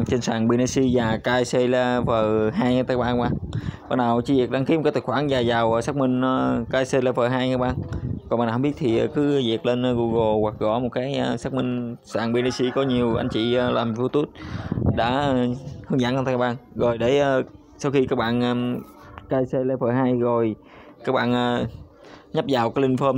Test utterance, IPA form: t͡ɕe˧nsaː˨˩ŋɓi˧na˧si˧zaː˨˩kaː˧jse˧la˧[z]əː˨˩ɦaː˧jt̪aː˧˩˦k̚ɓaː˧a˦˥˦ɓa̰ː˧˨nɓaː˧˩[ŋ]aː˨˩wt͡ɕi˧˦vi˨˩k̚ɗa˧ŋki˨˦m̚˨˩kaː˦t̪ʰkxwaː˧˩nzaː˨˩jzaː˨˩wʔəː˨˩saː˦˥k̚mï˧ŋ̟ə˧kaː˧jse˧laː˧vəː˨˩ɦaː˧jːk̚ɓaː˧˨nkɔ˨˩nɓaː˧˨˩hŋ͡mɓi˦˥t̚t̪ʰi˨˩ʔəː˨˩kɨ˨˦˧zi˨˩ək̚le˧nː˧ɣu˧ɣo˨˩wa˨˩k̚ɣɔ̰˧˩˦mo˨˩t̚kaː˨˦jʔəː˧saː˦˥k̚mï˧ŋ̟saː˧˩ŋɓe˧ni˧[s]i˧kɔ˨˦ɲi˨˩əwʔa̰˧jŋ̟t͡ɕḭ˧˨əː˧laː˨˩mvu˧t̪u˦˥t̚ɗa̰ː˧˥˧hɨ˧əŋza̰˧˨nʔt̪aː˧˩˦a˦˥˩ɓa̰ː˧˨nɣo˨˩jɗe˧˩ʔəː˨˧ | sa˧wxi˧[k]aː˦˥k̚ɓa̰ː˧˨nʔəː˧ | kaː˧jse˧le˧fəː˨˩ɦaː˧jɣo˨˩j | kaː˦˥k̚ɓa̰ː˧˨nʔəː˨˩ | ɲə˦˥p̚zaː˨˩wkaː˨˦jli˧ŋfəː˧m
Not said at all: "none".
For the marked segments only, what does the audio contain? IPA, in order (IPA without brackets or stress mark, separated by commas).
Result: v, n, s, k